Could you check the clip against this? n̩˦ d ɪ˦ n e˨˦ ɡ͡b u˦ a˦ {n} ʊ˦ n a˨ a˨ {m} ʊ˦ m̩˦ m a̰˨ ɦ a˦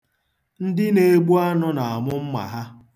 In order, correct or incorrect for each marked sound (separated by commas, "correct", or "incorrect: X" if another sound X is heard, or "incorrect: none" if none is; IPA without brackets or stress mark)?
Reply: correct, correct